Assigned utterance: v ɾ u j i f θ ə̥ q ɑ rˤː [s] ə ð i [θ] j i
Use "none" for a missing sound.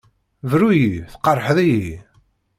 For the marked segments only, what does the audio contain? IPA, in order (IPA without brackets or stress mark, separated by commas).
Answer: ħ, none